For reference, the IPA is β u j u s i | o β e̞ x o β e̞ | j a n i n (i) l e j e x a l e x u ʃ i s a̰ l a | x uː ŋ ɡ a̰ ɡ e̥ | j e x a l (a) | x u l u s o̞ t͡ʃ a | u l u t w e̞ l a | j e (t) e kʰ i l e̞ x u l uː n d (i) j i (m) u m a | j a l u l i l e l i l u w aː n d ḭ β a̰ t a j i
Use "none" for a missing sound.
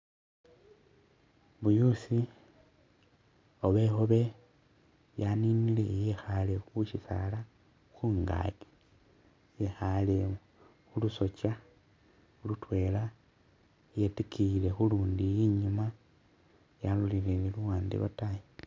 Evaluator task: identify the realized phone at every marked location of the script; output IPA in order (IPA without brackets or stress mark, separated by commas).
i, e, t, i, ɲ